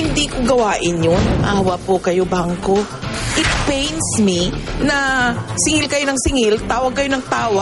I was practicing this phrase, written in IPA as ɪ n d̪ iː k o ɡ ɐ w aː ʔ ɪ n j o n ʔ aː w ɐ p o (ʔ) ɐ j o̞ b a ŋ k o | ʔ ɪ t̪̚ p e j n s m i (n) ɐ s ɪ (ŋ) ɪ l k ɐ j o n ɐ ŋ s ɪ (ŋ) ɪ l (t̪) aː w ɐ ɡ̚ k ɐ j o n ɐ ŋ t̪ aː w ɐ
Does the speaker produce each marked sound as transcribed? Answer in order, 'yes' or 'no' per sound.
no, yes, yes, yes, yes

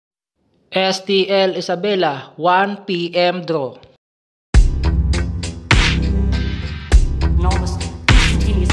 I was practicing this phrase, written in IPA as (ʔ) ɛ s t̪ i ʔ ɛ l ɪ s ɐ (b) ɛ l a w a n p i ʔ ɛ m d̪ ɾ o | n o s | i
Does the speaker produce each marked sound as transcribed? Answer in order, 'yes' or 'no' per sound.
yes, yes

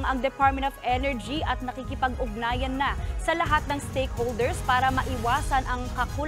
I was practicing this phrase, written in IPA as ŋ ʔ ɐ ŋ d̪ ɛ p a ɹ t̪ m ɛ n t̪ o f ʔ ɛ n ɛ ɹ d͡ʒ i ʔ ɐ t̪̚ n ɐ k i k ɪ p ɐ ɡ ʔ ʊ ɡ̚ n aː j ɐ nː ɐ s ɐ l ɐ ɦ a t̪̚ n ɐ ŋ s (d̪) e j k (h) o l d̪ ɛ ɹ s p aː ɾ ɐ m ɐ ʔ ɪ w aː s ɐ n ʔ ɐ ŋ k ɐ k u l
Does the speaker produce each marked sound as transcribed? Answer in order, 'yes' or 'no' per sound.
no, yes

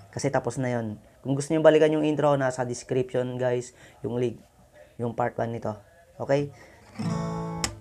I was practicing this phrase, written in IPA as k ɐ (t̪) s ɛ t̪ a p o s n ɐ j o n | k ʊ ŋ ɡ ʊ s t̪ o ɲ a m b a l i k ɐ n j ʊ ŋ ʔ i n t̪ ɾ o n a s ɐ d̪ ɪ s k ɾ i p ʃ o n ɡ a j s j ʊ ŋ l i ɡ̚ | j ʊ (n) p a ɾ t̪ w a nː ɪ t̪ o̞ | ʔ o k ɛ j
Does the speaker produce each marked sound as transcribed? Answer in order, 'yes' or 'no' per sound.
no, no

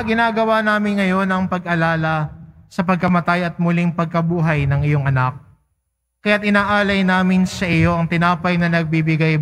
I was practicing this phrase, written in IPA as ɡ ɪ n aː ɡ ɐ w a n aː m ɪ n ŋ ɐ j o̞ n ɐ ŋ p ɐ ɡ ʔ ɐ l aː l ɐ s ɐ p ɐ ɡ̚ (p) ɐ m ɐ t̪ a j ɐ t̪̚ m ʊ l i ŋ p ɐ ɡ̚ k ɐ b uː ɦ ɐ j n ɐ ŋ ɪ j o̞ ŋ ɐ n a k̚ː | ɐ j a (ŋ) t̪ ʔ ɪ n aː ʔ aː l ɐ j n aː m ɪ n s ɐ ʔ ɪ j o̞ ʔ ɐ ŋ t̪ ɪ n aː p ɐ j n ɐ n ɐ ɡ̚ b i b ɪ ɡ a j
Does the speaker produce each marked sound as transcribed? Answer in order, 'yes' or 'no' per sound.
no, no

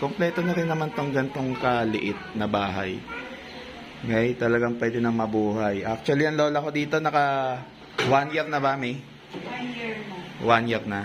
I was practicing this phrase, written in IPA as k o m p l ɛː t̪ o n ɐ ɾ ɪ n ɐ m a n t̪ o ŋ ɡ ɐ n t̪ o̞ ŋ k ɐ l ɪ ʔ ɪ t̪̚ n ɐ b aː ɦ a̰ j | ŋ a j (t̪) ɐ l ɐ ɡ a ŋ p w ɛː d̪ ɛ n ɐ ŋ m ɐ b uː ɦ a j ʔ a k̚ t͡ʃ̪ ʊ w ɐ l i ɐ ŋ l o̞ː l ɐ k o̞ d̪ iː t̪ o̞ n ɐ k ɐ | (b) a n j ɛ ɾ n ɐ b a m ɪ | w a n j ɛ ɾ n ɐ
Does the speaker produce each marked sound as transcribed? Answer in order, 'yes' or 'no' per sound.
yes, no

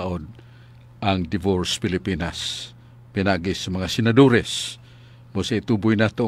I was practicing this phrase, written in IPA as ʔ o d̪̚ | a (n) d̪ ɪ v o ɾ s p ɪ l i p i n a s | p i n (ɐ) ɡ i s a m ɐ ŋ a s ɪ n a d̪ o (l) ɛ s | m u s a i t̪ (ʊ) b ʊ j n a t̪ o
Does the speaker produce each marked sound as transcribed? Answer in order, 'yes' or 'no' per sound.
no, no, no, no

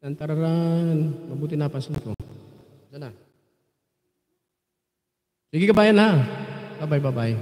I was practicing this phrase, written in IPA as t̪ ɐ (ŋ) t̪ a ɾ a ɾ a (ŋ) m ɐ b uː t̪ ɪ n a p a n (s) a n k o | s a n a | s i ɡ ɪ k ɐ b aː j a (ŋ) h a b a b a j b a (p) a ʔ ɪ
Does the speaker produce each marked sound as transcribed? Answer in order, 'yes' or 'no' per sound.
no, no, yes, no, no

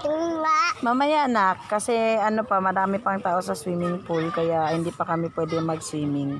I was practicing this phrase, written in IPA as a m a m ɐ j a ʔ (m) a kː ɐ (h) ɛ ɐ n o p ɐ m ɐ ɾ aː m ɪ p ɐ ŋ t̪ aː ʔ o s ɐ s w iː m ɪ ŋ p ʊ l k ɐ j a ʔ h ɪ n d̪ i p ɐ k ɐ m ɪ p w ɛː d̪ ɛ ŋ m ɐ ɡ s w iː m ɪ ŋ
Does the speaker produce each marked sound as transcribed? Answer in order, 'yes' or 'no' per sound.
no, no

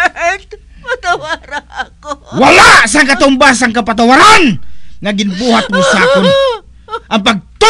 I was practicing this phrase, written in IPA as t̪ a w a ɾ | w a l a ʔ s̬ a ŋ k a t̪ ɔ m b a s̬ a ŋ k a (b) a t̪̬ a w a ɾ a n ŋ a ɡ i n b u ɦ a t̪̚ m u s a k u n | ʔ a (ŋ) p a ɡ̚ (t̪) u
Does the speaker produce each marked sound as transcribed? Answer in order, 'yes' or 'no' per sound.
no, no, yes

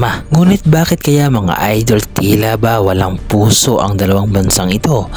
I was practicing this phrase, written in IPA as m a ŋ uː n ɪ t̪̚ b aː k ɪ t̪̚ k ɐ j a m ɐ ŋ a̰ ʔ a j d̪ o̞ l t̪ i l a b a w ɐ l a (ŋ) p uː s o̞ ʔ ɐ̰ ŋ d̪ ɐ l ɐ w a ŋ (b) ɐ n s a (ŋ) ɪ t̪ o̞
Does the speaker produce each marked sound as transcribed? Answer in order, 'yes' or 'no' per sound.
yes, yes, yes

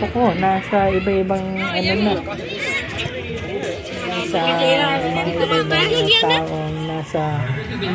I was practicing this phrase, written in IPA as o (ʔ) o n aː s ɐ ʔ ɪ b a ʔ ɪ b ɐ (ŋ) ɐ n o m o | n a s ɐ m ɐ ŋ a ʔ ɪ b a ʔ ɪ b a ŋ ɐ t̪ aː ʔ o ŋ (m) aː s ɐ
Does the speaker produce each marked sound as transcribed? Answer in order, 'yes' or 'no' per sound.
no, yes, no

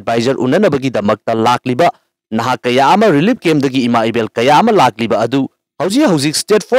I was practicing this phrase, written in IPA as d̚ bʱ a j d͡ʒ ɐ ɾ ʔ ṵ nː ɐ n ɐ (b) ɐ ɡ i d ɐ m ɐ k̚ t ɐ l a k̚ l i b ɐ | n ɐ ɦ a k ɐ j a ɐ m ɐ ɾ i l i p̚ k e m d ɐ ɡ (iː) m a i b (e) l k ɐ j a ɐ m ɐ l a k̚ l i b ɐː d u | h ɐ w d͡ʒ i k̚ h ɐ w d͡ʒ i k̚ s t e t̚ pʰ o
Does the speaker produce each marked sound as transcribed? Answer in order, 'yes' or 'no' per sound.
yes, yes, yes

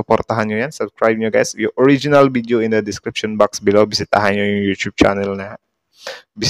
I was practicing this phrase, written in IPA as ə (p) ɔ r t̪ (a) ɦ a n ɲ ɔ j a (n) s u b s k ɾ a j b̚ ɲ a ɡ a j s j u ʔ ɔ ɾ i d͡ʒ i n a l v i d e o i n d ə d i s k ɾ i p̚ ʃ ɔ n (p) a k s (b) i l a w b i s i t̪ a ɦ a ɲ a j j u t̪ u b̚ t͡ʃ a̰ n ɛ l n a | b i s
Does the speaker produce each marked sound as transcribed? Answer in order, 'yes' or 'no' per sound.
yes, yes, yes, no, yes

